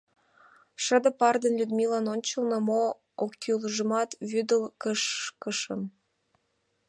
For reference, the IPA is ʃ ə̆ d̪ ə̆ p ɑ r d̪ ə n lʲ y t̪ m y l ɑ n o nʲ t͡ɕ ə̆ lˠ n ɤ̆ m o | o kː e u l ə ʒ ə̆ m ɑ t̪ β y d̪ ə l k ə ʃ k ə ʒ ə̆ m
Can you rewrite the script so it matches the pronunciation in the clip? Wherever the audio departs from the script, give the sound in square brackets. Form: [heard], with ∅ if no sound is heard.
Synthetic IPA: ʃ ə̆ d̪ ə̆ p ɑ r d̪ ə n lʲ y [d̪] m [i] l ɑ n o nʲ t͡ɕ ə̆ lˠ n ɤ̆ m o | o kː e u l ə ʒ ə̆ m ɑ t̪ β y d̪ ə l k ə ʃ k ə [ʃ] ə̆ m